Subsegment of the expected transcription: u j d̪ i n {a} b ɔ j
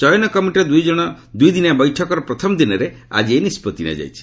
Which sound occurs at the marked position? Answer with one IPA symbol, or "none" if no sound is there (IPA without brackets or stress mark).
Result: a